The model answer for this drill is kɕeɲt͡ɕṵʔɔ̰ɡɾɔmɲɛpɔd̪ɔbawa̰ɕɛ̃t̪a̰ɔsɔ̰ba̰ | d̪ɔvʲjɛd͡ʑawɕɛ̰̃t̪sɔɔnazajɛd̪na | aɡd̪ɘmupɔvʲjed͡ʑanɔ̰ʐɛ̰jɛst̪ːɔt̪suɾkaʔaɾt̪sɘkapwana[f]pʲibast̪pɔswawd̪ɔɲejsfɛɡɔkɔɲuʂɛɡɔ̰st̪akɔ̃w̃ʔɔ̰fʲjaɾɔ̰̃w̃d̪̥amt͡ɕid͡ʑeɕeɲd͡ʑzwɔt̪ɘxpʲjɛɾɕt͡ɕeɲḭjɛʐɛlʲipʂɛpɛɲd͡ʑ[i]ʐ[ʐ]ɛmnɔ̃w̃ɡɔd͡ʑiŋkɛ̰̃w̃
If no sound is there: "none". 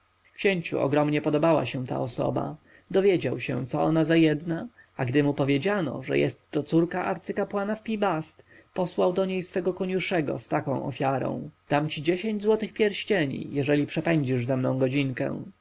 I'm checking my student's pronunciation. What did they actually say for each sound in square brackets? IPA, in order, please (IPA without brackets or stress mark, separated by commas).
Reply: f, i, z